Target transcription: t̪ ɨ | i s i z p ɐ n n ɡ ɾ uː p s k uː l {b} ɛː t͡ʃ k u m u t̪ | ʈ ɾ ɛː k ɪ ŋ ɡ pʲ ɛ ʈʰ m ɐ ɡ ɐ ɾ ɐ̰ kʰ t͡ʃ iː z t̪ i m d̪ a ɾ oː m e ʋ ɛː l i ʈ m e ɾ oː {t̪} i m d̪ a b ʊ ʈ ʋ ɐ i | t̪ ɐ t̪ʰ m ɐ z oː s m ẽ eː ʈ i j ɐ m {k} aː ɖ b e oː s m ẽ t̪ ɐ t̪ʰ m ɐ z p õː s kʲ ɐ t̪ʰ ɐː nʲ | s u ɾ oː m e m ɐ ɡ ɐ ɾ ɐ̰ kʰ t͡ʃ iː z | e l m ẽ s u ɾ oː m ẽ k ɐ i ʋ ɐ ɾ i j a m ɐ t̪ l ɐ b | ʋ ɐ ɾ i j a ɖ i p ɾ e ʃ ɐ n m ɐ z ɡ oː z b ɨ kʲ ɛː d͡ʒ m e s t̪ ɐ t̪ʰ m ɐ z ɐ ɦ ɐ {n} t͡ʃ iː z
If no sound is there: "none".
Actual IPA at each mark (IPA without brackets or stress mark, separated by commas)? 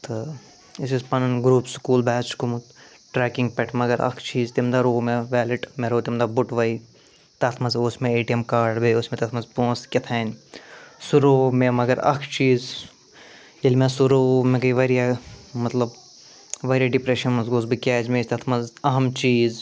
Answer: b, t̪, k, m